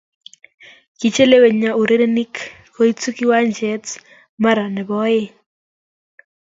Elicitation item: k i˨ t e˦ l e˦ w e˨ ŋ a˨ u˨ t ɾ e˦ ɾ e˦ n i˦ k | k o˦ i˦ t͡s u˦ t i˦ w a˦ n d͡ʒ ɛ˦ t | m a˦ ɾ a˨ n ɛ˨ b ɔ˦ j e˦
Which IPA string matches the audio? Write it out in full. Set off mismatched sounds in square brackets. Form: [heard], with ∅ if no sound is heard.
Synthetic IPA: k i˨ [t͡ʃ] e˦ l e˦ w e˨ [ɲ] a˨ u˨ [∅] ɾ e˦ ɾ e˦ n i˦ k | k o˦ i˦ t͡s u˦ [k] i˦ w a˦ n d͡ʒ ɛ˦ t | m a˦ ɾ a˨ n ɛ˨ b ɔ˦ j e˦